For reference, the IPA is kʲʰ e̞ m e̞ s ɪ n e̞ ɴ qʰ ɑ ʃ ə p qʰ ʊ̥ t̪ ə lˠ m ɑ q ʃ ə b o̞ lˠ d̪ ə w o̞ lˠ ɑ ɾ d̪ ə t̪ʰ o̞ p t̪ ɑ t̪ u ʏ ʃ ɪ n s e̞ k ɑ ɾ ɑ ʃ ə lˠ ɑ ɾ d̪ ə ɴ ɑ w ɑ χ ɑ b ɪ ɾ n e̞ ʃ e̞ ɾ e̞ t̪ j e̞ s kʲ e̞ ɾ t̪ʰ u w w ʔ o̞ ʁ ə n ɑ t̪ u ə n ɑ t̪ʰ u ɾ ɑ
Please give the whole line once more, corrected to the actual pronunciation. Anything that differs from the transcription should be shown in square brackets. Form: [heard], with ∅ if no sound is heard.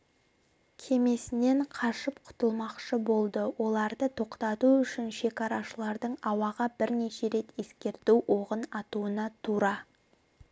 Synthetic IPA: kʲʰ e̞ m e̞ s ɪ n e̞ ɴ qʰ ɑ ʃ ə p qʰ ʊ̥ t̪ ə lˠ m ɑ q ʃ ə b o̞ lˠ d̪ ə w o̞ lˠ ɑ ɾ d̪ ə t̪ʰ o̞ [q] t̪ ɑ t̪ u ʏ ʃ ɪ n [ʃ] e̞ k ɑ ɾ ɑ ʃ ə lˠ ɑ ɾ d̪ ə ɴ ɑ w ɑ [ʁ] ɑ b ɪ ɾ n e̞ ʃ e̞ ɾ e̞ t̪ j e̞ s kʲ e̞ ɾ [t̪] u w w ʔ o̞ ʁ ə n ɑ t̪ u ə n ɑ t̪ʰ u ɾ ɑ